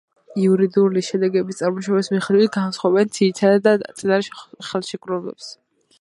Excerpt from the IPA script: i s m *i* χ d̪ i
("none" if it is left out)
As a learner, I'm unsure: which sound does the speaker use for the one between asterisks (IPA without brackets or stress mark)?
i